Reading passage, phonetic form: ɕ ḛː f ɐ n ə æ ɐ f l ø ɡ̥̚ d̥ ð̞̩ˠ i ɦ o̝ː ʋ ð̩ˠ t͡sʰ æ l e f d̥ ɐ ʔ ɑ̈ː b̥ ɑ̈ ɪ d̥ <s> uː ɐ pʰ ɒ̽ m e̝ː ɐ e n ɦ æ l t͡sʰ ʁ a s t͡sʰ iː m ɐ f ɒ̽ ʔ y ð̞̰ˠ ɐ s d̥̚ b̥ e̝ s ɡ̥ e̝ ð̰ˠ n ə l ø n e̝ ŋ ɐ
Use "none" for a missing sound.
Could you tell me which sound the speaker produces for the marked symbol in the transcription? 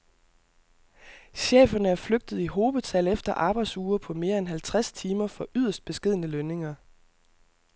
s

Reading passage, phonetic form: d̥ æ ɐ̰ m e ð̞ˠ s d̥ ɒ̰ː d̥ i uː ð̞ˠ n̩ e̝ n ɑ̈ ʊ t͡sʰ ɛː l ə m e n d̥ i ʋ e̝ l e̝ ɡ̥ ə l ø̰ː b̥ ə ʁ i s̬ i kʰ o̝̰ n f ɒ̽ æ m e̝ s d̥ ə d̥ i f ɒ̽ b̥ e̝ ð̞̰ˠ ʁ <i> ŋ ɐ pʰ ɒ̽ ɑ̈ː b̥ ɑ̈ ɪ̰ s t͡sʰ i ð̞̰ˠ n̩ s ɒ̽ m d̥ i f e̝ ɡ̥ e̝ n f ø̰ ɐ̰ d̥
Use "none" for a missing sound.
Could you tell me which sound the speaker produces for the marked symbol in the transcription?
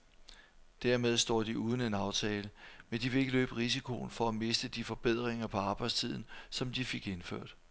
e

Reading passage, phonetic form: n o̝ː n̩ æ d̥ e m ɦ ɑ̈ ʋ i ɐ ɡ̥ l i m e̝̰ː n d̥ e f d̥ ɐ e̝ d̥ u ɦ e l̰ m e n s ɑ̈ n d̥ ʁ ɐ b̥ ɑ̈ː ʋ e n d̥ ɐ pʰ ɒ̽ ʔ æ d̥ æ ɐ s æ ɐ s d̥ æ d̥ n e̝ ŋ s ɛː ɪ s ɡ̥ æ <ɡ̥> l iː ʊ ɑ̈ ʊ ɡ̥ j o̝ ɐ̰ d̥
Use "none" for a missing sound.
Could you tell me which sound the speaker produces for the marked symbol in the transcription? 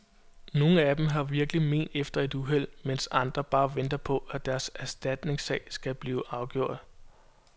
b̥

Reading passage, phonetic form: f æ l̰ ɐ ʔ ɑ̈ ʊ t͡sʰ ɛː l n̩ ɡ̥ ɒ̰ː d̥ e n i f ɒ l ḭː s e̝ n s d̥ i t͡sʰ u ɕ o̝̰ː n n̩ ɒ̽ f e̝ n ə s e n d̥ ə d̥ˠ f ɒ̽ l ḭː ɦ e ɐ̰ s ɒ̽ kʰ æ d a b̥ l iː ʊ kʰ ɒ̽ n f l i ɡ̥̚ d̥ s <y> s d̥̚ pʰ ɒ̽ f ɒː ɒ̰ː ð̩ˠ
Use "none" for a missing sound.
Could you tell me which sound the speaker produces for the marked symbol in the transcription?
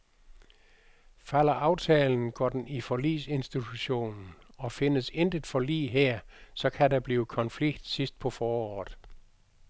i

